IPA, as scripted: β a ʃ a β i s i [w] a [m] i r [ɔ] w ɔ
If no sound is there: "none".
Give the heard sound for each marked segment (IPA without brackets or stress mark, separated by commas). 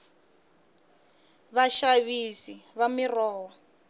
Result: β, m, ɔː